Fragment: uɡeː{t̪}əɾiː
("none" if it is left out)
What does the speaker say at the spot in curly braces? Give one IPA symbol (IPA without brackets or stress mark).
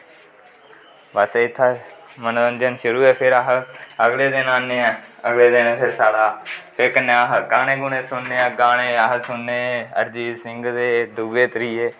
t̪